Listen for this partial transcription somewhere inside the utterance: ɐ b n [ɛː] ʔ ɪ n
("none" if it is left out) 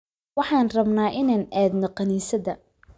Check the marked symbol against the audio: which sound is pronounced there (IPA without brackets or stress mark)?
aː